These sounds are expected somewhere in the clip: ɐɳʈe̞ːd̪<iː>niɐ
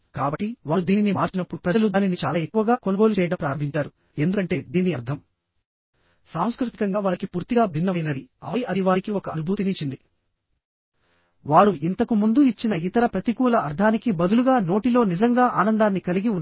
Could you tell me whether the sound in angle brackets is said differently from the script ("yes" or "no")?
no